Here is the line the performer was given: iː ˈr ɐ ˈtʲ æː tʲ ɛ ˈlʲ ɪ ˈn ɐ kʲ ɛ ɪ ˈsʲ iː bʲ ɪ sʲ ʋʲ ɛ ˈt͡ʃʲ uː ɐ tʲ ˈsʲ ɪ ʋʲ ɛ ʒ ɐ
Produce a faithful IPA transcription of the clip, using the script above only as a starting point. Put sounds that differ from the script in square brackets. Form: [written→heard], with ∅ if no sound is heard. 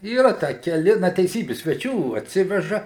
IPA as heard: iː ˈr ɐ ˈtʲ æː [tʲ→kʲ] ɛ ˈlʲ ɪ ˈn ɐ [kʲ→tʲ] ɛ ɪ ˈsʲ iː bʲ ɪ sʲ ʋʲ ɛ ˈt͡ʃʲ uː ɐ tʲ ˈsʲ ɪ ʋʲ ɛ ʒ ɐ